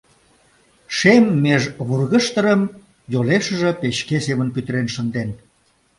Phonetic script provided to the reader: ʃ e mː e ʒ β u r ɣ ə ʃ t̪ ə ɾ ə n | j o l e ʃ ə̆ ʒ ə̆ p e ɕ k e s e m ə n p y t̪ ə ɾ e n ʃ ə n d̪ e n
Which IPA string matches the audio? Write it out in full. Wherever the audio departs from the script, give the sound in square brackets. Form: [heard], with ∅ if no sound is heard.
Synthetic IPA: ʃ e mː e ʒ β u r ɣ ə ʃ t̪ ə ɾ ə [m] | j o l e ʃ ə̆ ʒ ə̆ p e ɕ k e s e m ə n p y t̪ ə ɾ e n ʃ ə n d̪ e n